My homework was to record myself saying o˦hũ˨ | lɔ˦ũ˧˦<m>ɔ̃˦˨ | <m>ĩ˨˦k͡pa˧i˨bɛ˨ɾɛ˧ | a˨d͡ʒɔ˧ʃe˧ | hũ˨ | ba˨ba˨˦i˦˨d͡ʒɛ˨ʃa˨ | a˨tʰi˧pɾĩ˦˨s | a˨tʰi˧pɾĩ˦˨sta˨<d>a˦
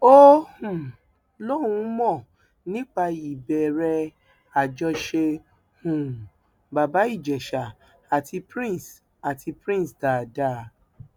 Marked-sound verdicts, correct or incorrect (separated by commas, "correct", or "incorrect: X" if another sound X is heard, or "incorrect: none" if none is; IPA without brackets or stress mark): correct, incorrect: n, correct